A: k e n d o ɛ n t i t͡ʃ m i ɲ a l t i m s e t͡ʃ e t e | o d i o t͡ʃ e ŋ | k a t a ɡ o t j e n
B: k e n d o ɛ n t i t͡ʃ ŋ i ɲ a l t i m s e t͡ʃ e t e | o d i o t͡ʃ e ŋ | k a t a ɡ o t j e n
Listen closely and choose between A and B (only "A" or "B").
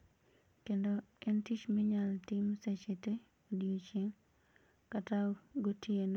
A